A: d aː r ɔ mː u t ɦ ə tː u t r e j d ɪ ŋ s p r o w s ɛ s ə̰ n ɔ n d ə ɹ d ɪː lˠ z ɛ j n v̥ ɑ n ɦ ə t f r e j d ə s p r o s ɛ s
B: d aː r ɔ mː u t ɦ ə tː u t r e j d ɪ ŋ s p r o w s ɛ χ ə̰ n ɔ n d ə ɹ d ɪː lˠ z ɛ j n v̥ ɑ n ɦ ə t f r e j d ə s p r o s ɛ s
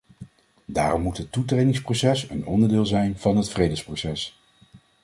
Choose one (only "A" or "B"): A